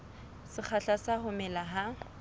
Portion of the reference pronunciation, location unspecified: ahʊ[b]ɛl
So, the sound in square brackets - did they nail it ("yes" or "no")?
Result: no